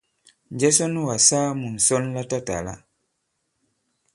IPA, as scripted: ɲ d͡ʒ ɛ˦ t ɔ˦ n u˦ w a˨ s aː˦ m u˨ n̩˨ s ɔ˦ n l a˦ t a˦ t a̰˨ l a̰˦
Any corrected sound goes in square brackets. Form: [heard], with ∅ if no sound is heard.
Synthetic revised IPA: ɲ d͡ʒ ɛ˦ [s] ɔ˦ n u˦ w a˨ s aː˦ m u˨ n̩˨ s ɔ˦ n l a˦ t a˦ t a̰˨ l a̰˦